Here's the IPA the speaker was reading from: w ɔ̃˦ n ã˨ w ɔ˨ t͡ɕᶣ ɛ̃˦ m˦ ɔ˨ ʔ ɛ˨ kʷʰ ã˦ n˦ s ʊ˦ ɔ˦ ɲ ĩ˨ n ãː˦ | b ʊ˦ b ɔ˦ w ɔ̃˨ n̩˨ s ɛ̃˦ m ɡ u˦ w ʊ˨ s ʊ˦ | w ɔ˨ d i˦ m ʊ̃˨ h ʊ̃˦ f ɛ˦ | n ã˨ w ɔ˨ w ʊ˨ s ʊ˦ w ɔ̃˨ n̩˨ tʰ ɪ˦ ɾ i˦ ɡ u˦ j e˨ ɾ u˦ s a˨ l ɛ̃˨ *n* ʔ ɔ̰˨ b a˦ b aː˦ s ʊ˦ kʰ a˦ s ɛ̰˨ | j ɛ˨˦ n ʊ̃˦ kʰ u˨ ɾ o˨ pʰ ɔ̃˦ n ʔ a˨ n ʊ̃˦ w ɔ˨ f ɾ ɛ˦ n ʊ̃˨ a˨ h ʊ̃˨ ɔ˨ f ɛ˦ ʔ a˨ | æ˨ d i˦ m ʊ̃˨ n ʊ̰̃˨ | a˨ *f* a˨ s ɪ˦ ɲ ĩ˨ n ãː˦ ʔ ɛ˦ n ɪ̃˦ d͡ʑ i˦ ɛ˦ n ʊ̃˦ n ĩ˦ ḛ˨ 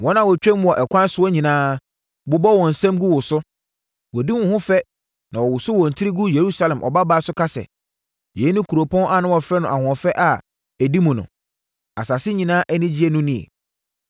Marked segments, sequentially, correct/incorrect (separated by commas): incorrect, incorrect